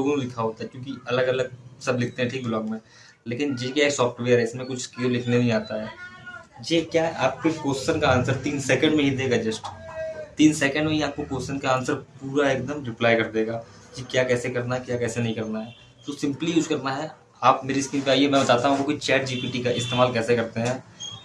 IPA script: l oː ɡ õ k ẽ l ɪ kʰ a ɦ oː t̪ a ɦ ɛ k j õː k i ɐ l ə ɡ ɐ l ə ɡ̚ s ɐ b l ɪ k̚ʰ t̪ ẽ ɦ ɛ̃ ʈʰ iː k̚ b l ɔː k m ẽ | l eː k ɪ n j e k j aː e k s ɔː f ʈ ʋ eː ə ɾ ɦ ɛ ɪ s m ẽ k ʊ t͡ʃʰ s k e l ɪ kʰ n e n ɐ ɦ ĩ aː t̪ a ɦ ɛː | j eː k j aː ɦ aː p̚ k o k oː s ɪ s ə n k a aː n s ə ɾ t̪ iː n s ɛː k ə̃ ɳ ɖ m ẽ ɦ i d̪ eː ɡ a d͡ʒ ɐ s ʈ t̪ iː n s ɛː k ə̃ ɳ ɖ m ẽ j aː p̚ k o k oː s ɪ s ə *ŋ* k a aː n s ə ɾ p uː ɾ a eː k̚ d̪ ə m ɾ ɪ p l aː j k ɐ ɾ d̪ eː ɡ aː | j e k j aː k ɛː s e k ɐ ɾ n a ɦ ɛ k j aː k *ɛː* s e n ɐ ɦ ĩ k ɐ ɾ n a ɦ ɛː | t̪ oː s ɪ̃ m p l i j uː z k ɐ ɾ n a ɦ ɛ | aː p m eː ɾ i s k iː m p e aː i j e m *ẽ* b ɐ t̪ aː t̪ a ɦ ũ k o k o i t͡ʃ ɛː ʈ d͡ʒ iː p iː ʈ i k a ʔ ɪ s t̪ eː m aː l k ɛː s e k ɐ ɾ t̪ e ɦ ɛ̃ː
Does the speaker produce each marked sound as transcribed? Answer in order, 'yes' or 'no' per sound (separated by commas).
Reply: no, yes, no